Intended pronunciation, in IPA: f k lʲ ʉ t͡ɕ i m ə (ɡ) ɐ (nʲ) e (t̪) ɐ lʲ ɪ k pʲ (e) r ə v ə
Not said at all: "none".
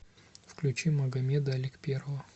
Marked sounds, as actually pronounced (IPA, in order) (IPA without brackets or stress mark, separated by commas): ɡ, mʲ, d̪, e